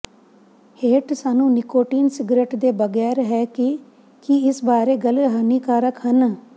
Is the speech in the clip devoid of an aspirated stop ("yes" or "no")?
yes